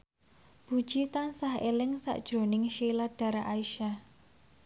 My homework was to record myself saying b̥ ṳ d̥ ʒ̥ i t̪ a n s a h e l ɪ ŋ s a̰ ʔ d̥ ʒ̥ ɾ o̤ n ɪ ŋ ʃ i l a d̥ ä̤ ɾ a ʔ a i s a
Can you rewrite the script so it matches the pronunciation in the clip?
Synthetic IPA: b̥ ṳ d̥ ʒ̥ i t̪ a n s a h e l ɪ ŋ s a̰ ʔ d̥ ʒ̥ ɾ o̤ n ɪ ŋ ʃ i l a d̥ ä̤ ɾ a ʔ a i ʃ a